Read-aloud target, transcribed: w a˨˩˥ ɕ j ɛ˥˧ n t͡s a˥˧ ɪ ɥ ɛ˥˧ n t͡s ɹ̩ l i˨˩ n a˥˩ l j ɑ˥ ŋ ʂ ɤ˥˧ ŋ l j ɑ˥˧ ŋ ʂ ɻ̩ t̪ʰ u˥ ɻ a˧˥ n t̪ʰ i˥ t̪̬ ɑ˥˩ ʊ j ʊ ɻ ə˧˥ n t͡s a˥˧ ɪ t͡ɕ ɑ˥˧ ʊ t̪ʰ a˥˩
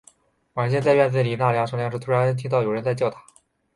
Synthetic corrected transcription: w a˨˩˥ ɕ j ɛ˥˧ n t͡s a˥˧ ɪ ɥ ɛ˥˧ n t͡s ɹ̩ l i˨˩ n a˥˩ l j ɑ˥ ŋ ʂ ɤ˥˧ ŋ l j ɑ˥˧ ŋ ʂ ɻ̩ t̪ʰ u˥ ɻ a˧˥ n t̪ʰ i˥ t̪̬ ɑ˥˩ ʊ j ʊ ɻ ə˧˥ n t͡s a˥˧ ɪ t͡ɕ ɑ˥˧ ʊ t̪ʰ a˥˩